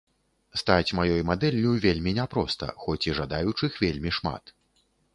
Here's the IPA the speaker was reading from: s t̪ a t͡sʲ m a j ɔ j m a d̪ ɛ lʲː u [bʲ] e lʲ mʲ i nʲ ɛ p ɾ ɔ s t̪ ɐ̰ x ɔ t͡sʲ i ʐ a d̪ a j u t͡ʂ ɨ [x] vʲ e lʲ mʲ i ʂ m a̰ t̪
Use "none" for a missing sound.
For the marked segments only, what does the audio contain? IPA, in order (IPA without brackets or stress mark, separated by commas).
vʲ, x